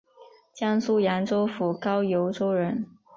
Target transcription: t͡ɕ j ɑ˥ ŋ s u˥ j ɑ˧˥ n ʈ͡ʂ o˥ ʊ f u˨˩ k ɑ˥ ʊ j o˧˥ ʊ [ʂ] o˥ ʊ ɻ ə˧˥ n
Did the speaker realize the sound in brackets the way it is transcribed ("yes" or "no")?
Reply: no